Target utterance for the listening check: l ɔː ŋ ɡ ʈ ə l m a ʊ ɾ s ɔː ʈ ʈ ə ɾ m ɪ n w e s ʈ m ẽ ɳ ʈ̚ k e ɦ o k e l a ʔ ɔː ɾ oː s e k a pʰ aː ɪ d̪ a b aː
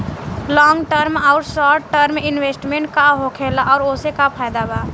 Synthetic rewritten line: l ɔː ŋ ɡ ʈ ə ɾ m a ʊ ɾ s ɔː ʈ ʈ ə ɾ m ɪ n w e s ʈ m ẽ ɳ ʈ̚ k a ɦ o kʰ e l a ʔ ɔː ɾ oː s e k a pʰ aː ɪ d̪ a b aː